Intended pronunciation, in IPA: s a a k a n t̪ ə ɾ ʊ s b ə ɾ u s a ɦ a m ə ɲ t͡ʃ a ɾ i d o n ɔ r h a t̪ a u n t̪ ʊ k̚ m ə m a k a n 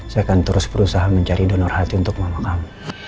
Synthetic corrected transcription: s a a k a n t̪ ə ɾ ʊ s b ə ɾ u s a ɦ a m ə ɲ t͡ʃ a ɾ i d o n ɔ r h a t̪ i u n t̪ ʊ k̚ m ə m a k a m